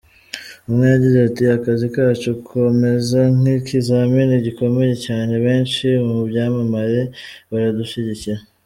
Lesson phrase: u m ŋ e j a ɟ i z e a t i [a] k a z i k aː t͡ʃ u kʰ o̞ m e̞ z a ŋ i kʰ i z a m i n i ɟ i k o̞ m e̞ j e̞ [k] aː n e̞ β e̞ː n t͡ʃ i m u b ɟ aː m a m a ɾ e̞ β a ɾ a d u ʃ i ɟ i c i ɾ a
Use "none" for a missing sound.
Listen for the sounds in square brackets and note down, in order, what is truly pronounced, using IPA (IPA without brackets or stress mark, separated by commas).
a, c